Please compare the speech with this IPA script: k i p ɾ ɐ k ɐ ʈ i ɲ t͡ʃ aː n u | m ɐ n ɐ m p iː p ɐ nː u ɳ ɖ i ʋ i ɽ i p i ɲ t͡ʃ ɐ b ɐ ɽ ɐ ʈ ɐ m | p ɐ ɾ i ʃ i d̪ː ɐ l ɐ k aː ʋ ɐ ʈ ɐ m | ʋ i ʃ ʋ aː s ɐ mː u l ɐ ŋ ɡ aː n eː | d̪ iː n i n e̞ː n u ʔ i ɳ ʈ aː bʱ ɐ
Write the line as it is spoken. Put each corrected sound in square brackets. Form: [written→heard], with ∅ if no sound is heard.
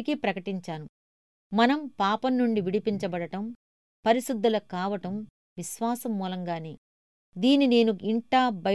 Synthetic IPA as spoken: k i p ɾ ɐ k ɐ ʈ i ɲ t͡ʃ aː n u | m ɐ n ɐ m p [iː→aː] p ɐ nː u ɳ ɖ i ʋ i ɽ i p i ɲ t͡ʃ ɐ b ɐ ɽ ɐ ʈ ɐ m | p ɐ ɾ i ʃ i d̪ː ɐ l ɐ k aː ʋ ɐ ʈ ɐ m | ʋ i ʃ ʋ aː s ɐ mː [u→uː] l ɐ ŋ ɡ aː n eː | d̪ iː n i n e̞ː n u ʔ i ɳ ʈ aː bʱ ɐ